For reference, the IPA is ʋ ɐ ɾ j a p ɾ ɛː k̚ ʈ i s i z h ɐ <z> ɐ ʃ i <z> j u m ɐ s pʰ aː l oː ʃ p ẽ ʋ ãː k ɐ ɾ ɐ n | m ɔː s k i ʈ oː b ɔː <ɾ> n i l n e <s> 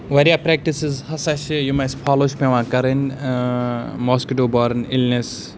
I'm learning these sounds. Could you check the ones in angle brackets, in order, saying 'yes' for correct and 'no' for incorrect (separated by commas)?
no, no, yes, yes